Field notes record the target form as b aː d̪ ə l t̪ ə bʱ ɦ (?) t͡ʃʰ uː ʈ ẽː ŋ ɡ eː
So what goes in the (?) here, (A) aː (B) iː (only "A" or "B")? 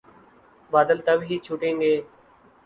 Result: B